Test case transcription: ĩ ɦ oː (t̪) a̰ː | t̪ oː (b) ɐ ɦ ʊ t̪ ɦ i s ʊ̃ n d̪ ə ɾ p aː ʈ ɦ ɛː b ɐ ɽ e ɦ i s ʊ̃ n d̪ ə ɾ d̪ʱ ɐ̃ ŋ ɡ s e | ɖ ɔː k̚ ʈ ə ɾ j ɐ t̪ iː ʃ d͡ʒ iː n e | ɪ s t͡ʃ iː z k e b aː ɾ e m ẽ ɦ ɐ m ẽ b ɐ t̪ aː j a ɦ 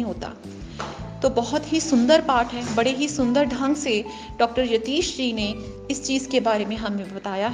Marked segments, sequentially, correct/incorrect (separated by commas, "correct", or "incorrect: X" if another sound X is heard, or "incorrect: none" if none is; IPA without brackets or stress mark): correct, correct